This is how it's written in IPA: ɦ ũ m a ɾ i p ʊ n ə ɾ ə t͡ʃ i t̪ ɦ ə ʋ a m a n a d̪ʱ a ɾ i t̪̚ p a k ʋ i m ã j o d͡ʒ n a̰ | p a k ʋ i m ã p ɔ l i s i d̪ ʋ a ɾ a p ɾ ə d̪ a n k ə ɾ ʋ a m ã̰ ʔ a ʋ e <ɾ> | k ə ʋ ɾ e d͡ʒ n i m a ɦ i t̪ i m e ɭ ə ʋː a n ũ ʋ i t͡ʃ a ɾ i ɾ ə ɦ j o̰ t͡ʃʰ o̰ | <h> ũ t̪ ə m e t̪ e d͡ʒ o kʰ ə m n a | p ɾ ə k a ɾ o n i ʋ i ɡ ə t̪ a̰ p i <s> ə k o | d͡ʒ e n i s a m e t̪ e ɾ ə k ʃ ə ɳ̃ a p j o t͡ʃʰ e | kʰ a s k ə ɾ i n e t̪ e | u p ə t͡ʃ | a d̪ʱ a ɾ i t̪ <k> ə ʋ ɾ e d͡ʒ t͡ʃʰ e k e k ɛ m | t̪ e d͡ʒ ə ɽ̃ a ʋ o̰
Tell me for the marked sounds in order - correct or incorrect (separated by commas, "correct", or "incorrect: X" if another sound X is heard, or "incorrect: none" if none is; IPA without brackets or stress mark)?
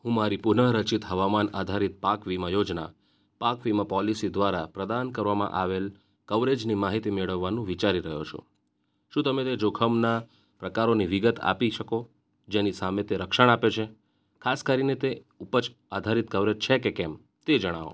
incorrect: l, incorrect: ʃ, incorrect: ʃ, correct